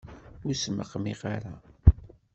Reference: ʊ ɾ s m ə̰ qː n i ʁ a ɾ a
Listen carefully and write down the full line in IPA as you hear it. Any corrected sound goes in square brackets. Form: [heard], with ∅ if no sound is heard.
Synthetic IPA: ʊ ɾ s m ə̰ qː [m] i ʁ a ɾ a